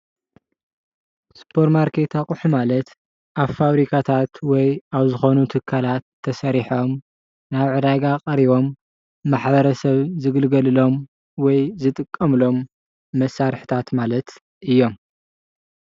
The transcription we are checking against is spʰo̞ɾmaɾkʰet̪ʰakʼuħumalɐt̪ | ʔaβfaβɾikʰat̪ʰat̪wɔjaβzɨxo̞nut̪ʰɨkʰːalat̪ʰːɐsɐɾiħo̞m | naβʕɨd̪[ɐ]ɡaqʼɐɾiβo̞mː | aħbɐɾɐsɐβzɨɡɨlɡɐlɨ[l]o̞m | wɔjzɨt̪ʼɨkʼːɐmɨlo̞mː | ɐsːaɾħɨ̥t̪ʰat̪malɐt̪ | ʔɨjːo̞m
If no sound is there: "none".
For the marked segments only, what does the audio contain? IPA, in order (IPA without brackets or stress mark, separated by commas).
a, l